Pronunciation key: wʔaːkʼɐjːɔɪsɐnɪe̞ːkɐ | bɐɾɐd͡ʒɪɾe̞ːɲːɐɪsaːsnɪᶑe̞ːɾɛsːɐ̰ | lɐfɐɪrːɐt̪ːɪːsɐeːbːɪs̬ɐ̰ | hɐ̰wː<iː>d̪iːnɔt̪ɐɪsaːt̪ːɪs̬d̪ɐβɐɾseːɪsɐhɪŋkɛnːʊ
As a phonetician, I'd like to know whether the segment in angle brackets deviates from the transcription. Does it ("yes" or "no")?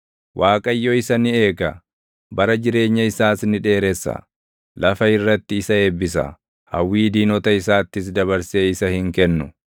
no